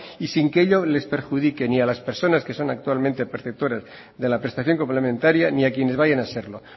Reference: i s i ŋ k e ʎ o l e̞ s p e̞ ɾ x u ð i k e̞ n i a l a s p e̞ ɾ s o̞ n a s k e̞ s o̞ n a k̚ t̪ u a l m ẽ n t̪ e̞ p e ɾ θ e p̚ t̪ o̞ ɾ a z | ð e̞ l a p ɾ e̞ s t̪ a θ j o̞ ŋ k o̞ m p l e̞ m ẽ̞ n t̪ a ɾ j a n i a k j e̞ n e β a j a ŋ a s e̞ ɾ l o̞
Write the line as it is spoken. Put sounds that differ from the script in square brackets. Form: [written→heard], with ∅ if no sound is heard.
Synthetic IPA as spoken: i s i ŋ k e ʎ o l e̞ s p e̞ ɾ x u ð i k e̞ n i a l a s p e̞ ɾ s o̞ n a s k e̞ s o̞ n a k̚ t̪ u a l m ẽ n t̪ e̞ p e ɾ θ e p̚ t̪ o̞ ɾ a z | ð e̞ l a p ɾ e̞ s t̪ a θ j o̞ ŋ k o̞ m p l e̞ m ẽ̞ n t̪ a ɾ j a n i a k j e̞ n e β a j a [ŋ→n] a s e̞ ɾ l o̞

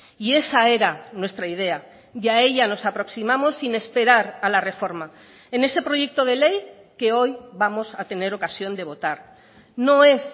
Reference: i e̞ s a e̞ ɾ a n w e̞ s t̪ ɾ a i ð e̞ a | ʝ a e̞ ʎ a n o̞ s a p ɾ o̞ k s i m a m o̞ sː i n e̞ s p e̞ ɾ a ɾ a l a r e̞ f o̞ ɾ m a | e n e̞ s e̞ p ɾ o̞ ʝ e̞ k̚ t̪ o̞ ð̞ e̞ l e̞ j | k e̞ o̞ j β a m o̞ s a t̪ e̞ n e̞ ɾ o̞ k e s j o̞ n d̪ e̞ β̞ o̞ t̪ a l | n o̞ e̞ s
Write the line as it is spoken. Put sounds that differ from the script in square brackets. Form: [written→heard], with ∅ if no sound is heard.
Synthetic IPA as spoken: i e̞ s a e̞ ɾ a n w e̞ s t̪ ɾ a i ð e̞ a | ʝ a e̞ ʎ a n o̞ s a p ɾ o̞ k s i m a m o̞ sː i n e̞ s p e̞ ɾ a ɾ a l a r e̞ f o̞ ɾ m a | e n e̞ s e̞ p ɾ o̞ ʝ e̞ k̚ t̪ o̞ ð̞ e̞ l e̞ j | k e̞ o̞ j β a m o̞ s a t̪ e̞ n e̞ ɾ o̞ k [e→a] s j o̞ n d̪ e̞ β̞ o̞ t̪ a [l→ɾ] | n o̞ e̞ s

